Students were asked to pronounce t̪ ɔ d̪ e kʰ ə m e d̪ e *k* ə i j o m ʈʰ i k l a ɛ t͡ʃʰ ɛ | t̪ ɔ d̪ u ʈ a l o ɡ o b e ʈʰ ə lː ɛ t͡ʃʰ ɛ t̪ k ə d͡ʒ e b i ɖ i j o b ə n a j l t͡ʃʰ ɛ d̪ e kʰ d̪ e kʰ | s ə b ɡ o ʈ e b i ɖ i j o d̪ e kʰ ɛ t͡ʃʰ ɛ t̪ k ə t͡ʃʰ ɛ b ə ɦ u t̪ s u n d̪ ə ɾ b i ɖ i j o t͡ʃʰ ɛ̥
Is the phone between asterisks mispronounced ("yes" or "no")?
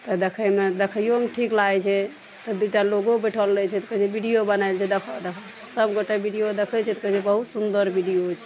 yes